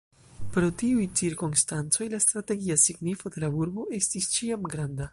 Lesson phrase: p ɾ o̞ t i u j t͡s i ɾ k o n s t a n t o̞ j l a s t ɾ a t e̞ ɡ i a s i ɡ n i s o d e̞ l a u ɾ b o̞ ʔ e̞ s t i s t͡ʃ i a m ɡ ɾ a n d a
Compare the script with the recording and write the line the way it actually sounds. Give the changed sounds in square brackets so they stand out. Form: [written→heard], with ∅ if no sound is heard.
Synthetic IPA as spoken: p ɾ o̞ t i u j t͡s i ɾ k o n s t a n [t→t͡s] o̞ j l a s t ɾ a t e̞ ɡ i a s i ɡ n i [s→f] o d e̞ l a u ɾ b o̞ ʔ e̞ s t i s t͡ʃ i a m ɡ ɾ a n d a